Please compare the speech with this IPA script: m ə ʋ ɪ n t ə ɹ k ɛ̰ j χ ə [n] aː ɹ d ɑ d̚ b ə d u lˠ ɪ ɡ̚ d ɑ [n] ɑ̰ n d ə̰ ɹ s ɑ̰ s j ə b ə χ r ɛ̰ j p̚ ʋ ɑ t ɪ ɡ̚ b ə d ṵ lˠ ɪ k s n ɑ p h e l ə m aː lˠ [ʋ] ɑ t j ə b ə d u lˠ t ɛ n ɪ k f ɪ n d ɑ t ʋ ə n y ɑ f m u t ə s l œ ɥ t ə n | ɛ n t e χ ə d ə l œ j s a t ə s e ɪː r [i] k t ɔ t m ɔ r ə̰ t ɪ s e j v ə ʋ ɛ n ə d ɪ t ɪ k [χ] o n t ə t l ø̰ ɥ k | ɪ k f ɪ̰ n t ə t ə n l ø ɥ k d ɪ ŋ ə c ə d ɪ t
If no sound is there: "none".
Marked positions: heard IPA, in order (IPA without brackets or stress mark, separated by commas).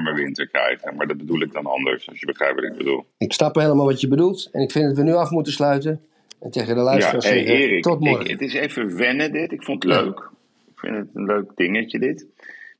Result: m, n, ʋ, ɪ, f